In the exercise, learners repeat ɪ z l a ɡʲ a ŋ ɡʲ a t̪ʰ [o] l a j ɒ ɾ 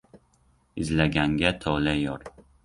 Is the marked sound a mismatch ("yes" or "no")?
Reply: yes